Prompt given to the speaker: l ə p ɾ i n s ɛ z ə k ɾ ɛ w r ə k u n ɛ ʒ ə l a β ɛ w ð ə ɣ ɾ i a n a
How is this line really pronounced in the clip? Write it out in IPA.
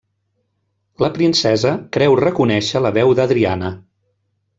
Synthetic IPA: l ə p ɾ i n s ɛ z ə k ɾ ɛ w r ə k u n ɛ ʃ ə l ə β ɛ w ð ə ð ɾ i a n ə

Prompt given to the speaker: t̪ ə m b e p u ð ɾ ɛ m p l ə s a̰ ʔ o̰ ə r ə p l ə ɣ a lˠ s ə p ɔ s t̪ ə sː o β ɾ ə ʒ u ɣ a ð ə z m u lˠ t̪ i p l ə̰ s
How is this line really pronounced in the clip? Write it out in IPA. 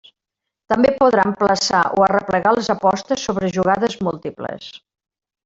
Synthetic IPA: t̪ ə m b e p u ð ɾ a m p l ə s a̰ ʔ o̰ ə r ə p l ə ɣ a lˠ z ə p ɔ s t̪ ə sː o β ɾ ə ʒ u ɣ a ð ə z m u lˠ t̪ i p l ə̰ s

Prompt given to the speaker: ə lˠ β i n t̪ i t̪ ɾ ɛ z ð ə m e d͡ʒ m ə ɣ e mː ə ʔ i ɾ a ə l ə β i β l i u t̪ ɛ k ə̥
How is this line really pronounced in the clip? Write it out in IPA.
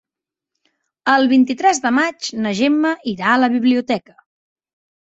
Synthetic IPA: ə lˠ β i n t̪ i t̪ ɾ ɛ z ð ə m a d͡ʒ n ə ʒ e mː ə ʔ i ɾ a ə l ə β i β l i u t̪ ɛ k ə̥

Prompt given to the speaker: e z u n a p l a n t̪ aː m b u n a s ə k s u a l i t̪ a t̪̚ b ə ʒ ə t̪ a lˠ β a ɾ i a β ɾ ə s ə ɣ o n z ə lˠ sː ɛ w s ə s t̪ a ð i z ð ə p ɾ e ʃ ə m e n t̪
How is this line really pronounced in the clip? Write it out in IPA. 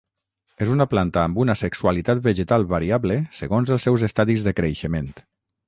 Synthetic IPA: e z u n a p l a n t̪ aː m b u n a s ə k s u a l i t̪ a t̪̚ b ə ʒ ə t̪ a lˠ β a ɾ i a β l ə s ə ɣ o n z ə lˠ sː ɛ w z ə s t̪ a ð i z ð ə k ɾ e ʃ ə m e n t̪

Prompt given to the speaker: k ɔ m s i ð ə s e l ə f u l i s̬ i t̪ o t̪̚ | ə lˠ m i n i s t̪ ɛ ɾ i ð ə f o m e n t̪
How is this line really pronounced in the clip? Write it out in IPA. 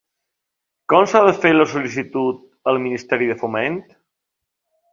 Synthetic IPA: k ɔ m s a ð ə f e l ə s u l i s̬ i t̪ u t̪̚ | ə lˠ m i n i s t̪ ɛ ɾ i ð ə f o m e n t̪

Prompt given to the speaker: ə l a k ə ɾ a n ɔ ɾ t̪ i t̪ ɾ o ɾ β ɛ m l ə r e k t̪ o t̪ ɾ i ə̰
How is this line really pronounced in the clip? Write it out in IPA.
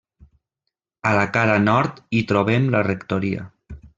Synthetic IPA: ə l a k a ɾ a n ɔ ɾ t̪ i t̪ ɾ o β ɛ m l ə r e k t̪ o ɾ i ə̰

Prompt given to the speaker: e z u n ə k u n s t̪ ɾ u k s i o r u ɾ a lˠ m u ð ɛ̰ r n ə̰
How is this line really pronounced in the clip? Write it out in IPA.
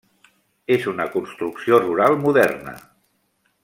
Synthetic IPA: e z u n ə k u n s t̪ ɾ u k s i o r u ɾ a lˠ m u ð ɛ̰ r n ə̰

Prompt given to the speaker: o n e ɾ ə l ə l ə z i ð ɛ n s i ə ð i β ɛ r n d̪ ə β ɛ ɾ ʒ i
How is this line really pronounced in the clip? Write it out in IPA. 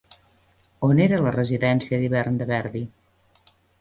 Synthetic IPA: o n e ɾ ə l ə r ə z i ð ɛ n s i ə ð i β ɛ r n d̪ ə β ɛ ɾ ð i

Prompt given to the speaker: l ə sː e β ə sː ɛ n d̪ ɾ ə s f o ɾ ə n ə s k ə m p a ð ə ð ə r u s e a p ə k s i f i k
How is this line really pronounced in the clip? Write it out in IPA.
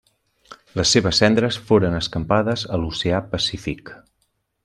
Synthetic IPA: l ə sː e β ə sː ɛ n d̪ ɾ ə s f o ɾ ə n ə s k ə m p a ð ə z ə l u s e a p ə s i f i k

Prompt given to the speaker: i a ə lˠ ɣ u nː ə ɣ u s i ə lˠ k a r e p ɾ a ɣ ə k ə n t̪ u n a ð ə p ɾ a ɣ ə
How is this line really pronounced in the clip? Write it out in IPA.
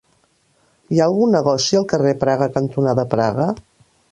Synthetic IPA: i a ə lˠ ɣ u nː ə ɣ ɔ s i ə lˠ k ə r e p ɾ a ɣ ə k ə n t̪ u n a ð ə p ɾ a ɣ ə

